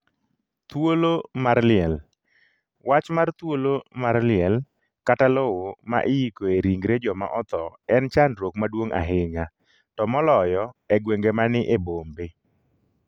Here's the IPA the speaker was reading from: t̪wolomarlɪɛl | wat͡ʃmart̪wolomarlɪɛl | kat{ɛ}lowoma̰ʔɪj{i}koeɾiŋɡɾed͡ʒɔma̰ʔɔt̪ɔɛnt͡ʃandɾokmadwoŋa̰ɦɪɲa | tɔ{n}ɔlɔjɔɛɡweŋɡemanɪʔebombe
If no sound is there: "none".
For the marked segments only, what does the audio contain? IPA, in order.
a, i, m

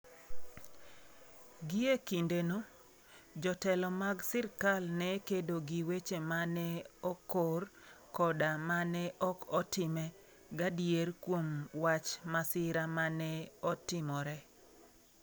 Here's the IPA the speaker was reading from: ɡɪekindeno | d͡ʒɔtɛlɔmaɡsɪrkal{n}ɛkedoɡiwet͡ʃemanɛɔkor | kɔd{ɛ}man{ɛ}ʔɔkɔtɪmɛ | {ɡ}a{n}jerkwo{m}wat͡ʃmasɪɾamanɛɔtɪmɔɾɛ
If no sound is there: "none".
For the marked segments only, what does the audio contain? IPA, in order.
n, a, ɛ, ɡ, d, m

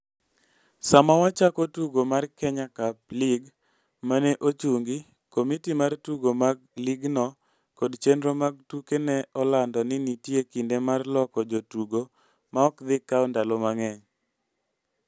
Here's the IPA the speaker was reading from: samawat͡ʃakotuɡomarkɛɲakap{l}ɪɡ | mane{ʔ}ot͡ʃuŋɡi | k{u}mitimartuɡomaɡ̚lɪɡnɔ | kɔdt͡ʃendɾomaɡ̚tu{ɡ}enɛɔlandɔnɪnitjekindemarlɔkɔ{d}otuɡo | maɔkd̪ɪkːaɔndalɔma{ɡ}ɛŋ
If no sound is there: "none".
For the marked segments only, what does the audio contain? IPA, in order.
l, ʔ, o, k, d͡ʒ, ŋ

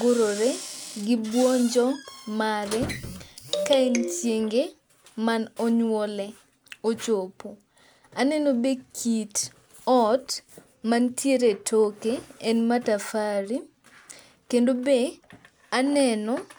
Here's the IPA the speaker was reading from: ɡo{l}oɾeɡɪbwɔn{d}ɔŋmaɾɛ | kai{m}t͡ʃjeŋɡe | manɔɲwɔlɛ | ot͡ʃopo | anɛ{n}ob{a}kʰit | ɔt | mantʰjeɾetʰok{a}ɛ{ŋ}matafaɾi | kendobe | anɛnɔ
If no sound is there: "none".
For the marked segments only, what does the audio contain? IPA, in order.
ɾ, d͡ʒ, n, n, e, e, n

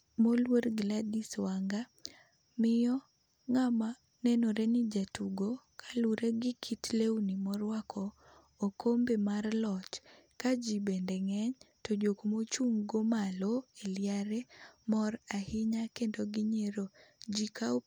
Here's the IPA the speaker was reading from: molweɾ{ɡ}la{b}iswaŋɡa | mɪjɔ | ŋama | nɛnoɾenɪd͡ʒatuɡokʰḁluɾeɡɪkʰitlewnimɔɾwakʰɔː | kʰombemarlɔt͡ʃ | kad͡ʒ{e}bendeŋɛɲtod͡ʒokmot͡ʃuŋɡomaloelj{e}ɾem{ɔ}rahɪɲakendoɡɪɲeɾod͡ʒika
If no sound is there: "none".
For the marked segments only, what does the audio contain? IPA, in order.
ɡ, d, i, a, ɔ

